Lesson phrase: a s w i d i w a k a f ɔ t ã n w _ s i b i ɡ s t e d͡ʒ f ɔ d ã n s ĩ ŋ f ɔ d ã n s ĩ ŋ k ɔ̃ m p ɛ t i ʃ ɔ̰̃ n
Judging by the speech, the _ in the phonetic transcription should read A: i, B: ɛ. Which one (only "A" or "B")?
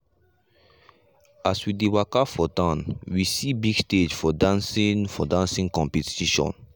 A